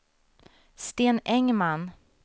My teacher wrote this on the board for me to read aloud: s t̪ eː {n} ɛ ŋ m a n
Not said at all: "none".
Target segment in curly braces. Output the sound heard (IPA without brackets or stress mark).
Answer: n